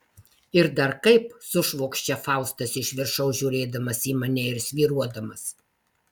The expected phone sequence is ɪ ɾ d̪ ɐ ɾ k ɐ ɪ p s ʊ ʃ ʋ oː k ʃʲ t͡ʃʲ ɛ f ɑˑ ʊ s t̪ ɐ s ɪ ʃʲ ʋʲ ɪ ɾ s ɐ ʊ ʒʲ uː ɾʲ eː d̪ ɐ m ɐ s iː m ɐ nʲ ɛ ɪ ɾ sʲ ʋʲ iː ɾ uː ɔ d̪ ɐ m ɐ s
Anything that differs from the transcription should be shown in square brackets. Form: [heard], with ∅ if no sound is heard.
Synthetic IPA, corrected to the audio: ɪ ɾ d̪ ɐ ɾ k ɐ ɪ p s ʊ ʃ ʋ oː k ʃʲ t͡ʃʲ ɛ f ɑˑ ʊ s t̪ ɐ s ɪ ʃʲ ʋʲ ɪ ɾ [ʃ] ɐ ʊ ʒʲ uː ɾʲ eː d̪ ɐ m ɐ s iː m ɐ nʲ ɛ ɪ ɾ sʲ ʋʲ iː ɾ [u] ɔ d̪ ɐ m ɐ s